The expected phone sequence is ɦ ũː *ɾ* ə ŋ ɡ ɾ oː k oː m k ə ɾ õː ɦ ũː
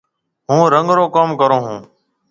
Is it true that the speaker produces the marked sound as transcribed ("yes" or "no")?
yes